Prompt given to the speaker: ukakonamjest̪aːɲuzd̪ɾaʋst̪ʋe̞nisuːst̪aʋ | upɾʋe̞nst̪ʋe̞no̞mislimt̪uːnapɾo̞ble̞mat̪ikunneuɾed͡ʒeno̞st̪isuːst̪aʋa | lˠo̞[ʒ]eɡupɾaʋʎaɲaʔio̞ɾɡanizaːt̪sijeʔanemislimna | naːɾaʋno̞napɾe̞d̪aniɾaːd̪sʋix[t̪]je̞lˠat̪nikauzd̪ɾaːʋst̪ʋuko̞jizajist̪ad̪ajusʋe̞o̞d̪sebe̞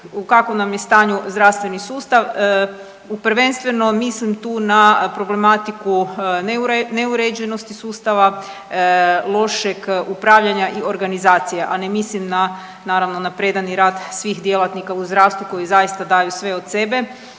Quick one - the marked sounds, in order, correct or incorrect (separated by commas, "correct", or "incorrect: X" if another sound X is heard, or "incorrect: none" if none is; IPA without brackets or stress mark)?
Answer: incorrect: ʃ, incorrect: d̪